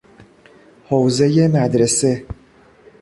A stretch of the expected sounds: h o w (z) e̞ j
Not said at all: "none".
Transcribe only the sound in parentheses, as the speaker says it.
z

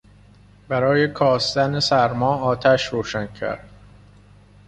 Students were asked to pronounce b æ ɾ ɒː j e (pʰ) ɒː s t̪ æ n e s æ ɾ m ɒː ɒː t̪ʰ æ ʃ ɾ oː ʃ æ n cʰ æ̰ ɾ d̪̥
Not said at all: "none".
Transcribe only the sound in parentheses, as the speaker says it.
kʰ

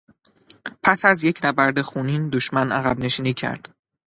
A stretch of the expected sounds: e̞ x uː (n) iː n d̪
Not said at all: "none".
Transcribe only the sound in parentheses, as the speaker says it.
n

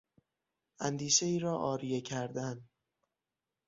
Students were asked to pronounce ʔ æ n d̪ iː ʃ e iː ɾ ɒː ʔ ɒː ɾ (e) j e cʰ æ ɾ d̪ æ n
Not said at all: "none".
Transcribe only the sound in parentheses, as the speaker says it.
i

